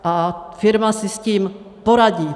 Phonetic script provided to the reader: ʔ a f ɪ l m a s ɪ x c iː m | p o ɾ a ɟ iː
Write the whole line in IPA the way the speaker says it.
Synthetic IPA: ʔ a f ɪ ɾ m a s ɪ s c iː m | p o ɾ a ɟ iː